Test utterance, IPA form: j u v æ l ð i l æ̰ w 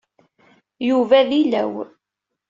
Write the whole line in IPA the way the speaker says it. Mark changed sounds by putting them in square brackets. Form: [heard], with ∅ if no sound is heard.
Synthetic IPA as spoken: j u v æ [∅] ð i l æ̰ w